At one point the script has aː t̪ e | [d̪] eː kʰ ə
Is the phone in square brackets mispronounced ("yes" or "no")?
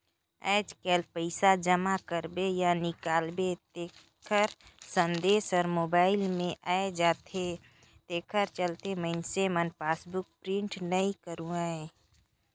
yes